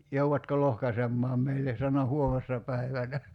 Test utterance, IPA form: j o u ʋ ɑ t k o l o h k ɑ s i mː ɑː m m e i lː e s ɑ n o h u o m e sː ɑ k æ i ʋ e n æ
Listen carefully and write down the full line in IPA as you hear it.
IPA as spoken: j o u ʋ ɑ t k o l o h k ɑ s e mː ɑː m m e i lː e s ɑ n o h u o m e sː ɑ p æ i ʋ æ n æ